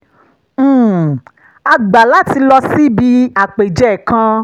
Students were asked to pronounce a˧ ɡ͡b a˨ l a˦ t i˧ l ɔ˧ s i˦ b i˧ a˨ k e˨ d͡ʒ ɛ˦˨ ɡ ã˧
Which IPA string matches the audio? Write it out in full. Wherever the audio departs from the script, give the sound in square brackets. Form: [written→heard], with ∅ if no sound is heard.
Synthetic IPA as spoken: a˧ ɡ͡b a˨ l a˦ t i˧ l ɔ˧ s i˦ b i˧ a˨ [k→k͡p] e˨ d͡ʒ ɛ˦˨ [ɡ→k] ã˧